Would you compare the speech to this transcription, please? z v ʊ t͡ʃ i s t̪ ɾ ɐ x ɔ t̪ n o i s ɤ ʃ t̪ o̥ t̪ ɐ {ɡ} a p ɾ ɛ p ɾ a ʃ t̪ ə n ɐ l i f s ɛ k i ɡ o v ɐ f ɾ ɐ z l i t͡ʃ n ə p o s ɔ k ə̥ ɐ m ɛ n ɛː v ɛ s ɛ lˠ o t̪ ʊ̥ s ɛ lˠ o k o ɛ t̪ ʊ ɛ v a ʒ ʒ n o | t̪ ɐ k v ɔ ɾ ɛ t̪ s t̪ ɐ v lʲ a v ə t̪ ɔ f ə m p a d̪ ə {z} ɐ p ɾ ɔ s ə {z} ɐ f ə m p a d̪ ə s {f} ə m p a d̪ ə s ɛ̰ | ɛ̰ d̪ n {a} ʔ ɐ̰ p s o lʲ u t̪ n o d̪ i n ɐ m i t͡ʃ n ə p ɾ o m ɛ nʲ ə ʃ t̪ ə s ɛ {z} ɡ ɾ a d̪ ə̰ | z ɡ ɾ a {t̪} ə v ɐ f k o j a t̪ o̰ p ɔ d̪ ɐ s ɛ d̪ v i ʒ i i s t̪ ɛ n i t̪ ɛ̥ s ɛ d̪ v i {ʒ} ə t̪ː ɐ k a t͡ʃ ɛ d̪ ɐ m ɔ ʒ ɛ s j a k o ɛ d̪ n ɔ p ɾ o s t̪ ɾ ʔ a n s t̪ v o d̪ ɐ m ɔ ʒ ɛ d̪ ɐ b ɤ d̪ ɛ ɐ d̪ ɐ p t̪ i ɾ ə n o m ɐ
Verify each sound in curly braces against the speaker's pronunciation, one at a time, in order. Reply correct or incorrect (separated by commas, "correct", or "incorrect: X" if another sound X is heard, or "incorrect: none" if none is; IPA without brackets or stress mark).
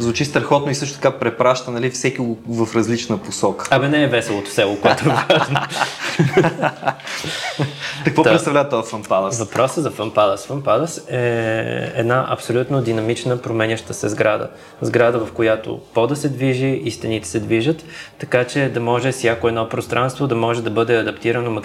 incorrect: k, incorrect: v, correct, correct, correct, correct, incorrect: d̪, correct